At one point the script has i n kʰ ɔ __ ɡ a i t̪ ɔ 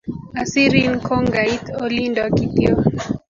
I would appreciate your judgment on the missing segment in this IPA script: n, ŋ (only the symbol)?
ŋ